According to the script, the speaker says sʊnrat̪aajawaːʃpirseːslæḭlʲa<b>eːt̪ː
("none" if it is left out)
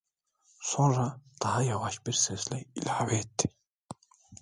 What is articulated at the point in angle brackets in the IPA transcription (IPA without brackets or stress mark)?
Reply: w